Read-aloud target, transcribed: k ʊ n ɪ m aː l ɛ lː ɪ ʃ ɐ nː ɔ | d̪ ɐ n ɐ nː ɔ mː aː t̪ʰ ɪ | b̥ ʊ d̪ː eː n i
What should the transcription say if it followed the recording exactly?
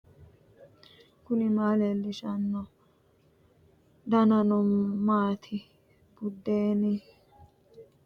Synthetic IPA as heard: k ʊ n ɪ m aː l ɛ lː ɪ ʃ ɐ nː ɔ | d̪ ɐ n ɐ n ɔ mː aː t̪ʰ ɪ | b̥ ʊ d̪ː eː n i